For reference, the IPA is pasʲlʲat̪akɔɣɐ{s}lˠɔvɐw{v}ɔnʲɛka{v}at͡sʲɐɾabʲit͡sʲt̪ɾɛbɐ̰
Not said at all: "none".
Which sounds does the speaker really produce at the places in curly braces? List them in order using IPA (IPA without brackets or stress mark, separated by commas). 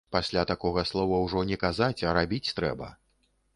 s, ʐ, z